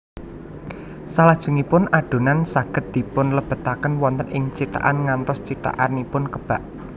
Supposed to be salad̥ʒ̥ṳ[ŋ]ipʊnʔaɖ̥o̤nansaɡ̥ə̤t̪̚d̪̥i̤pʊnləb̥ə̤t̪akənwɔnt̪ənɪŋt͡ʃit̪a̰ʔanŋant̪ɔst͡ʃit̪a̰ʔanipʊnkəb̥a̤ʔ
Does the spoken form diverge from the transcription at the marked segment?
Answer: no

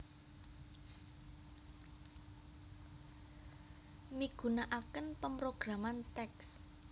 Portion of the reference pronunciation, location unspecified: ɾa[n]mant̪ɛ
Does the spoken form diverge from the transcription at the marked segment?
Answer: yes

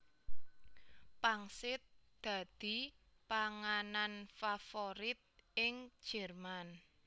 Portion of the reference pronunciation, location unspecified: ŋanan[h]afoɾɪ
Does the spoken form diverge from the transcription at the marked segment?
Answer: yes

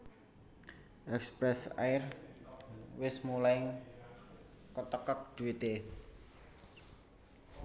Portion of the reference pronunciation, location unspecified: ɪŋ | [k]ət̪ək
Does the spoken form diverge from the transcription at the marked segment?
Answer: no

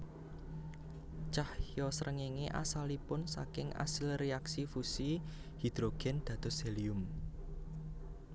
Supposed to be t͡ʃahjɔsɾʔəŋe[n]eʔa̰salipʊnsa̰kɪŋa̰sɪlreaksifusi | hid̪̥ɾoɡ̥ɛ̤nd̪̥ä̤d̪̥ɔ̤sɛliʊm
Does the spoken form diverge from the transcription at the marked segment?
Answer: yes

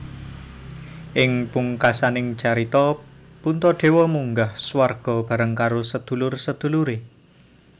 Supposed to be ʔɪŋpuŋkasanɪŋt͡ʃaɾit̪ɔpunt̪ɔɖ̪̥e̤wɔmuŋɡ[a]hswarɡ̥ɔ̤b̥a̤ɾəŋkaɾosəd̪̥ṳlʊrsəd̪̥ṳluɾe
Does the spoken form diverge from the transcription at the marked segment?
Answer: no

